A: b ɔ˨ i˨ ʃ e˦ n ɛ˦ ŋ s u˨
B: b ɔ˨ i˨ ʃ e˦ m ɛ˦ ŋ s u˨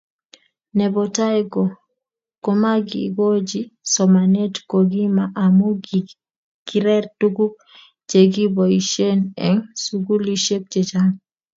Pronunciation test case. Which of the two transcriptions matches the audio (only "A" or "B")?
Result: A